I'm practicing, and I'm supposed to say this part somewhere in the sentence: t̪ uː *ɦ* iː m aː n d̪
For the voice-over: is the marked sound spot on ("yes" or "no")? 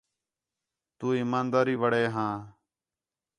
no